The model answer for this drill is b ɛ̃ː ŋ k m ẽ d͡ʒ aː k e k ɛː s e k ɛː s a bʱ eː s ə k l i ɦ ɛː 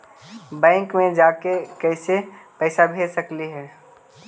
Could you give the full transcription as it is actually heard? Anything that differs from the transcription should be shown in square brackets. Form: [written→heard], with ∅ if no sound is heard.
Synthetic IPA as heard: b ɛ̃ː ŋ k m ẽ d͡ʒ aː k e k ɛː s e [k→p] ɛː s a bʱ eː s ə k l i ɦ ɛː